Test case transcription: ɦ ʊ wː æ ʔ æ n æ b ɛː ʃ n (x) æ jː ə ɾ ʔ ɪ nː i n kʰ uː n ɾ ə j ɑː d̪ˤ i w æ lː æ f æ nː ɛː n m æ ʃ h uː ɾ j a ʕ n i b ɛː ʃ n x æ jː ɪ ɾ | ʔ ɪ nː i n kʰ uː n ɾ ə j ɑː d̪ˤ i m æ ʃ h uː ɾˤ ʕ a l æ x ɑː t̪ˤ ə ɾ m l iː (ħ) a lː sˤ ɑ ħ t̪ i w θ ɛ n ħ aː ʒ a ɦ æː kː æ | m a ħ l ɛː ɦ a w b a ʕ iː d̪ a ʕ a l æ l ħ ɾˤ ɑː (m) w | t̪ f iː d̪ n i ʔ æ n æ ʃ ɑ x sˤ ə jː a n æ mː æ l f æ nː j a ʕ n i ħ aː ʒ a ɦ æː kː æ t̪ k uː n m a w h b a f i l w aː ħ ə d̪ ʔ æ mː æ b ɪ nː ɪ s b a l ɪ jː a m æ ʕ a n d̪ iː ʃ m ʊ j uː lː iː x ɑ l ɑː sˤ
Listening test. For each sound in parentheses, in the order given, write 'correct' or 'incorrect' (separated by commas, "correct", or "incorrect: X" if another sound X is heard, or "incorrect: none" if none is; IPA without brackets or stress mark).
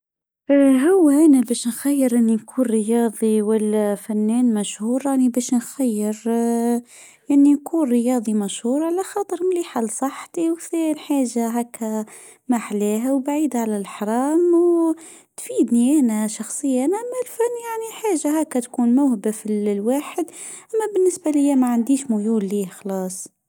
correct, correct, correct